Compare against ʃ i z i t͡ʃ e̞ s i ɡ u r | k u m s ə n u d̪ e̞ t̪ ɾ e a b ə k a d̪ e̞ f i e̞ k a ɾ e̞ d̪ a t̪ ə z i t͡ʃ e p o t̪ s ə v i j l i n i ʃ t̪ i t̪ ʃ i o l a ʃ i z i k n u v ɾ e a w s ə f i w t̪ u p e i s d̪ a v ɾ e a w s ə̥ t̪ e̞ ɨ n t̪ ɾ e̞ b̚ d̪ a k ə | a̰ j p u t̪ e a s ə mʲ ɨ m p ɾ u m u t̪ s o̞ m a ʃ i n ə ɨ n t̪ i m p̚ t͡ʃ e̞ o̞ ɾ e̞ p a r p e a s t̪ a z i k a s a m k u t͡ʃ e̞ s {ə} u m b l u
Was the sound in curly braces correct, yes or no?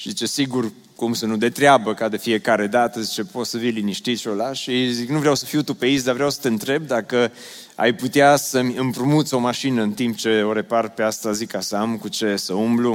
yes